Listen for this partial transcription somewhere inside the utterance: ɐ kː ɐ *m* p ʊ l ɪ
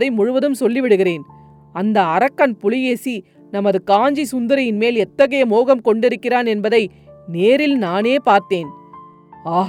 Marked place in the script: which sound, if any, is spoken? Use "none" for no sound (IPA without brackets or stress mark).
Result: n